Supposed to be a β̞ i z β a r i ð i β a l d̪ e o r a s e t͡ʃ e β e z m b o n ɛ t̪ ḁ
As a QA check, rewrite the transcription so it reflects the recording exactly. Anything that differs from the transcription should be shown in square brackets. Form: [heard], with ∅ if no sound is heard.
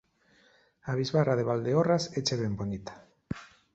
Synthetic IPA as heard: a β̞ i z β a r [a] ð [e] β a l d̪ e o r a s e t͡ʃ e β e [∅] m b o n [i] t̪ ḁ